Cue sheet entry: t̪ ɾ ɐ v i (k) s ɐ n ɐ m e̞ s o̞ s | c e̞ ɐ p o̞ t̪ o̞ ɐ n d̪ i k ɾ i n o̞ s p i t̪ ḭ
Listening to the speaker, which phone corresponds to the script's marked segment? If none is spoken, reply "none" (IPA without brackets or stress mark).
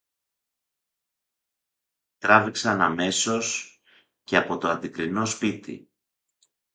k